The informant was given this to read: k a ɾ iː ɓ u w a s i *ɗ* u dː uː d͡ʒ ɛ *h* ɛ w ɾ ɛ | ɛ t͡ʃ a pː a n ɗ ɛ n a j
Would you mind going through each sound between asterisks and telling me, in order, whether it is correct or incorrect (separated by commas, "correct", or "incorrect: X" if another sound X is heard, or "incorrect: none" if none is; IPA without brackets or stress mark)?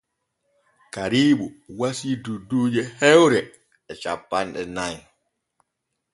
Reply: incorrect: d, correct